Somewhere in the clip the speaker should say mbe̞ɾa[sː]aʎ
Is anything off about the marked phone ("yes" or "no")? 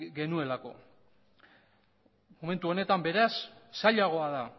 no